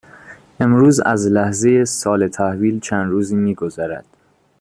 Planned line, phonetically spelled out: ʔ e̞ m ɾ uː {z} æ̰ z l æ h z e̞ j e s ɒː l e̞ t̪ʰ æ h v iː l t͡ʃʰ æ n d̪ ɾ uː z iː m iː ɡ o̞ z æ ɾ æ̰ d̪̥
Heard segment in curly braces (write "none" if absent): z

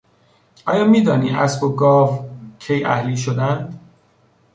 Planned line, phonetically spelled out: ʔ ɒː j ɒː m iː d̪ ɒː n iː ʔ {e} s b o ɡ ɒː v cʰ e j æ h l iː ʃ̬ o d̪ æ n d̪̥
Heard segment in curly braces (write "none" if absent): æ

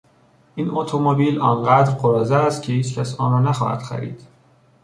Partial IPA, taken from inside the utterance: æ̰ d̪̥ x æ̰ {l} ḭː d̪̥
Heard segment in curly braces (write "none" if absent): ɾ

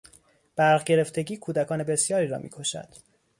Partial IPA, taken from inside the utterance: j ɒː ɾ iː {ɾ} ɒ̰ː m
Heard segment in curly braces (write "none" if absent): ɾ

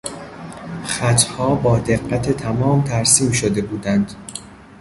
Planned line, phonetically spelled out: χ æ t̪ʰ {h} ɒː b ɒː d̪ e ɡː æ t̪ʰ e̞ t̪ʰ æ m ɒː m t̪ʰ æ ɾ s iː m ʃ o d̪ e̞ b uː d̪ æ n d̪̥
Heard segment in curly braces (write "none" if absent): h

